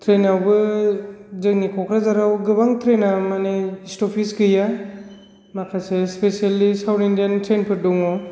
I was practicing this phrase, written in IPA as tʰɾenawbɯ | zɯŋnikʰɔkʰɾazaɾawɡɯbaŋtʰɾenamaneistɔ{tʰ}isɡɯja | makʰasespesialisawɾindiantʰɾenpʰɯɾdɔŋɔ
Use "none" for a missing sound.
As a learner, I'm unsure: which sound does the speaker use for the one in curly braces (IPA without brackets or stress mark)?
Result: pʰ